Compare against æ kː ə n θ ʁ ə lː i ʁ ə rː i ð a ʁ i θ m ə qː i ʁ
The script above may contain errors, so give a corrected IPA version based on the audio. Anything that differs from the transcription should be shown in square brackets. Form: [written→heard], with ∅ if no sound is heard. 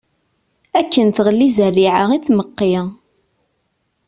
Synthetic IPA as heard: æ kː ə n θ ʁ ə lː i [ʁ→z] ə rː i [ð→ʕ] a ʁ i θ m ə qː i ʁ